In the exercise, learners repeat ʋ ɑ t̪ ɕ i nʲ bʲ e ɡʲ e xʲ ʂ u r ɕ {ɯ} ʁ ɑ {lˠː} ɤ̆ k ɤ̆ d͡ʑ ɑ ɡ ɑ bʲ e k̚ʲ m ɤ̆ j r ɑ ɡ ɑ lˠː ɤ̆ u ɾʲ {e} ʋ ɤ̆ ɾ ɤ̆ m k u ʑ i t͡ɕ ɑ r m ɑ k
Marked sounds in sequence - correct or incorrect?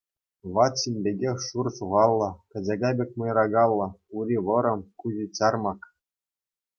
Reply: incorrect: u, correct, incorrect: i

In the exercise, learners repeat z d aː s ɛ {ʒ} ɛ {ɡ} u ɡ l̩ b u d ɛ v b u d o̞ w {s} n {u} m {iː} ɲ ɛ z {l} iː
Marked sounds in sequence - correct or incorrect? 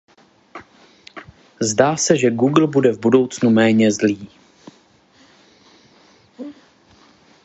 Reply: correct, correct, incorrect: t͡s, correct, incorrect: ɛː, correct

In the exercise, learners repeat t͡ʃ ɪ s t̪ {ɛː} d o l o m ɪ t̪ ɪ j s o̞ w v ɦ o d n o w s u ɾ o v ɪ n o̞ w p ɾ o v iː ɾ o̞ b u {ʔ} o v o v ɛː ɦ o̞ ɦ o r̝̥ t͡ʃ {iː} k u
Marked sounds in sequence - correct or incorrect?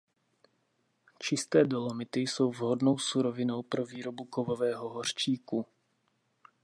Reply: correct, incorrect: k, correct

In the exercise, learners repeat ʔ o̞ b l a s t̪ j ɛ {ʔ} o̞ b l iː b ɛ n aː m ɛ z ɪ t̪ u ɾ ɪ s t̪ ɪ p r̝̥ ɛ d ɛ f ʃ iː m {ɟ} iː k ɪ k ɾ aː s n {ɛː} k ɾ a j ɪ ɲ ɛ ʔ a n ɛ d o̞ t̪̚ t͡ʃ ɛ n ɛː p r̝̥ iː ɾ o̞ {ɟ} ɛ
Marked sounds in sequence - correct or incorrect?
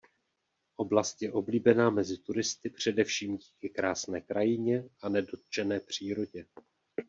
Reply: correct, correct, correct, correct

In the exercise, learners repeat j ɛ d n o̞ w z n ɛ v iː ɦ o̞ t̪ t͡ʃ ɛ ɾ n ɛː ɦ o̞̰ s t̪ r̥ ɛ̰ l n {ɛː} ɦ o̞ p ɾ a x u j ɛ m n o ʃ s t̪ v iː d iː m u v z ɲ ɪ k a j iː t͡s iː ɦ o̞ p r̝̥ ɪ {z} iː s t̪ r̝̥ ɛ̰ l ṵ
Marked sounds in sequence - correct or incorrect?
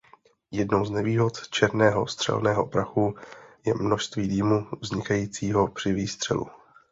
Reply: correct, incorrect: v

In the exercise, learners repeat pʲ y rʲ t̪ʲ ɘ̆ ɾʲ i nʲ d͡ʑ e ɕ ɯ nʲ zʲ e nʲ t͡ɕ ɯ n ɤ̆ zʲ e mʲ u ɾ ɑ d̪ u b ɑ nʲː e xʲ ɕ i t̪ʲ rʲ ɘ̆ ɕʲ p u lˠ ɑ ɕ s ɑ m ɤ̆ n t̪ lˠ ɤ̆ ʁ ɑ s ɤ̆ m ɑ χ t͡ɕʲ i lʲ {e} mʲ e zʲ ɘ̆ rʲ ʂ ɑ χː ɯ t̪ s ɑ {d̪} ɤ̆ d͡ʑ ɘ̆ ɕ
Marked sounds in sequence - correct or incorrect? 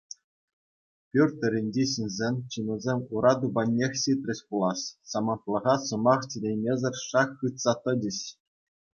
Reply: correct, incorrect: t̪

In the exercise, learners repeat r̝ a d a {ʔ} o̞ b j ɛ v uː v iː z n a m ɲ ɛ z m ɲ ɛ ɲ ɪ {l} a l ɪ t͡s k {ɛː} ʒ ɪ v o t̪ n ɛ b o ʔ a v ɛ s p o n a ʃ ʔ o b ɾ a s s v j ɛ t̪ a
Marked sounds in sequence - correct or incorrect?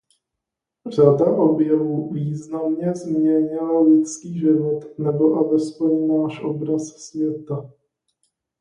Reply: correct, correct, incorrect: iː

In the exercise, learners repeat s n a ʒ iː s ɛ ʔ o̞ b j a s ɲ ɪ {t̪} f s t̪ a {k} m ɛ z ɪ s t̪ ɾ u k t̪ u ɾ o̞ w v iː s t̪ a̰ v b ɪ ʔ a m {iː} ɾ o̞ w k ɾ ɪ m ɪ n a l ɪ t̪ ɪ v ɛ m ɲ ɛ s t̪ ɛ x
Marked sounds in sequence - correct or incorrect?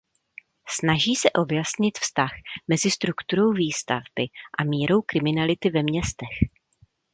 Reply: correct, incorrect: x, correct

